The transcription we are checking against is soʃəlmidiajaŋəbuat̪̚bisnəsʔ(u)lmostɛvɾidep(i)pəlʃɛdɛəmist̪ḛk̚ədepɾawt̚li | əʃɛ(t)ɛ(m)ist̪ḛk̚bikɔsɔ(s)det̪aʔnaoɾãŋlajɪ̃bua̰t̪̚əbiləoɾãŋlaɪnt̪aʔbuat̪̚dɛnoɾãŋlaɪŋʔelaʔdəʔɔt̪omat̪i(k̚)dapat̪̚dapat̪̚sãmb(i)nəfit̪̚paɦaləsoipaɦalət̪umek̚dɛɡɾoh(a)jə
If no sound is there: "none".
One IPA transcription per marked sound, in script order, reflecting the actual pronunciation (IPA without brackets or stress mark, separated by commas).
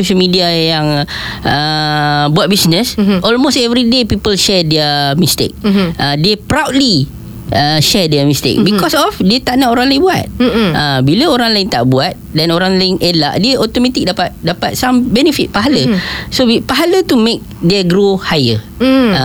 ɔ, i, d, m, f, k̚, ɛ, a